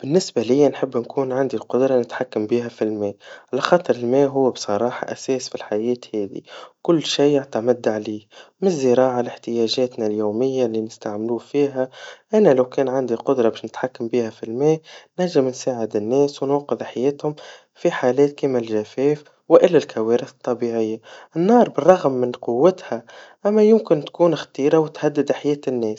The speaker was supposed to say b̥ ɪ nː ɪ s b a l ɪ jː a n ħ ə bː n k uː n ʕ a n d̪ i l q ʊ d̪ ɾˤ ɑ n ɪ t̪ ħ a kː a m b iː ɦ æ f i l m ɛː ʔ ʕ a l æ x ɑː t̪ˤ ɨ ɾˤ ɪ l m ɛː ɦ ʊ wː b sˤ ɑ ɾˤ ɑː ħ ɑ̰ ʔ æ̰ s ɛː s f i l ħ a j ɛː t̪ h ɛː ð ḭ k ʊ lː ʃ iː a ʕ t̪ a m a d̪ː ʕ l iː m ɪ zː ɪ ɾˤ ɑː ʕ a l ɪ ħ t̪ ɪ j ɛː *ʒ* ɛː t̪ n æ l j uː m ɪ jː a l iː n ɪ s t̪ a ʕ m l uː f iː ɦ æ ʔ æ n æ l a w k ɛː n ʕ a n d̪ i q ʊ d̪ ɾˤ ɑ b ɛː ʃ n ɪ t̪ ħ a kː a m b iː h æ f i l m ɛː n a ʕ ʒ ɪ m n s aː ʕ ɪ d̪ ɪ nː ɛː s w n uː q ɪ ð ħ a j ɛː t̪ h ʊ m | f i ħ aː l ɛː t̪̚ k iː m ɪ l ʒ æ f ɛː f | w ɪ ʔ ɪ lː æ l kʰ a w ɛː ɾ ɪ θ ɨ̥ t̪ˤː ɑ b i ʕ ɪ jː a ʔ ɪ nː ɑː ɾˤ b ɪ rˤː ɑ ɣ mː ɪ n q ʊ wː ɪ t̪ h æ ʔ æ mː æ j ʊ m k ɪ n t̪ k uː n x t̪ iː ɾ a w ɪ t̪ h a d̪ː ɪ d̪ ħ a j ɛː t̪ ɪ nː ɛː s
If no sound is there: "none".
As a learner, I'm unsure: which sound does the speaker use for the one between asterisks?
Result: ʒ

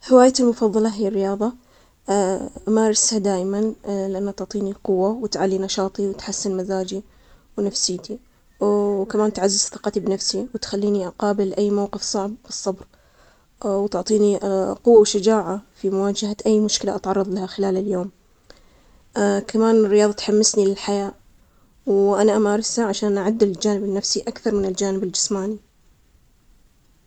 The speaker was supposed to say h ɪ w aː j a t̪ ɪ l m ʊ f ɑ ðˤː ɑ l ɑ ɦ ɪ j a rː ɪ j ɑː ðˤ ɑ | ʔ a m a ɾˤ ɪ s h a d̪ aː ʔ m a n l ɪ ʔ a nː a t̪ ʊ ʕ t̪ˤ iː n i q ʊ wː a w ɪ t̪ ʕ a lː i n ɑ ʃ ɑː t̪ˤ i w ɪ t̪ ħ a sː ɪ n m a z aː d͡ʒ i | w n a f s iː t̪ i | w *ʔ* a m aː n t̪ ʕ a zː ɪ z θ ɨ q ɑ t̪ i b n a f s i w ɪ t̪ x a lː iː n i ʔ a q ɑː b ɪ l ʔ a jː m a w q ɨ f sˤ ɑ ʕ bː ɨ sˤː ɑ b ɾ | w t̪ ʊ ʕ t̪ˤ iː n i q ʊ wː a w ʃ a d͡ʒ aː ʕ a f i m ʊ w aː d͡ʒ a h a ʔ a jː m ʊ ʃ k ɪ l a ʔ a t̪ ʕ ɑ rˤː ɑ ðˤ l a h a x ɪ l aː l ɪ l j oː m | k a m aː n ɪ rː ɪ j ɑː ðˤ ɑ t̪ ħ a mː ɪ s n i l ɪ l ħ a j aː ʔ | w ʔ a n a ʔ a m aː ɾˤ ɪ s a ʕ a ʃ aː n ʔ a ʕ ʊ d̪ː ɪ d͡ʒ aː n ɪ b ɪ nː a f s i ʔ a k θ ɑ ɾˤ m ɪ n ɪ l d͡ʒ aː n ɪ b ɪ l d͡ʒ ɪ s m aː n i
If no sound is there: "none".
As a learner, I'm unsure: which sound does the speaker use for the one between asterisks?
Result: k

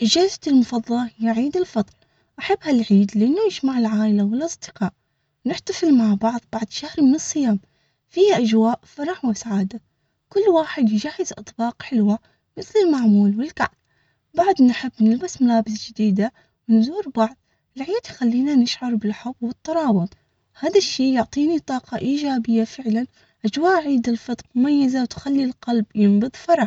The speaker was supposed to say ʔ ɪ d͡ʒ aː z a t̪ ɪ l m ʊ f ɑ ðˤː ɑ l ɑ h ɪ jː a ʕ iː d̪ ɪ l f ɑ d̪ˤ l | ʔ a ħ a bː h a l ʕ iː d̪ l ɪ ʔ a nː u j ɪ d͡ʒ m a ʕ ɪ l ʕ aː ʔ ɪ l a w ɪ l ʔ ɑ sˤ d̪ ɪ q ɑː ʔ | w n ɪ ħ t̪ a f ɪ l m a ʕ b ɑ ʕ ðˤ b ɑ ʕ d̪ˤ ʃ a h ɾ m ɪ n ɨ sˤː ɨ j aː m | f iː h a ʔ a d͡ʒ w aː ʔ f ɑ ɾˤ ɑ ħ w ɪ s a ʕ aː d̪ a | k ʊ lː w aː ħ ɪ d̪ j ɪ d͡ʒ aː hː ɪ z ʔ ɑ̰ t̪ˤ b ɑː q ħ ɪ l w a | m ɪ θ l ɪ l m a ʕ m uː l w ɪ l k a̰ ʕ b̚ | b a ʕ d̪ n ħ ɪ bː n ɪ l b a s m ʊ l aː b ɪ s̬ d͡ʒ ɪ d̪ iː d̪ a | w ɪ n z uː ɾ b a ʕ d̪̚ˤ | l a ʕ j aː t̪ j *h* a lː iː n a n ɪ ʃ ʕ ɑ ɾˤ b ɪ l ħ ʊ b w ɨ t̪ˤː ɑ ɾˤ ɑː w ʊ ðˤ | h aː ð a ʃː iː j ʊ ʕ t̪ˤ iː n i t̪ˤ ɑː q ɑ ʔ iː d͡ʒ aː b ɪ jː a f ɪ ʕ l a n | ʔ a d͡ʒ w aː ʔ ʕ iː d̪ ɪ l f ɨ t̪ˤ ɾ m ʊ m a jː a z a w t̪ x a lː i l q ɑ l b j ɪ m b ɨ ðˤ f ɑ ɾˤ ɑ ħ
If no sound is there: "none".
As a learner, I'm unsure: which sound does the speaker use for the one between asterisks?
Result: x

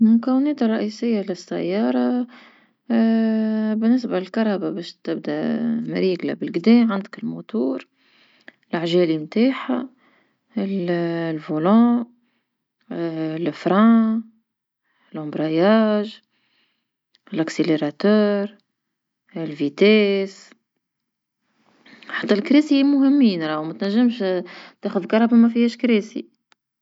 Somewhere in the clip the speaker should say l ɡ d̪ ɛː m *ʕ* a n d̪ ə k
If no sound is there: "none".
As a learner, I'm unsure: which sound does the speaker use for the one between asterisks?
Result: ʕ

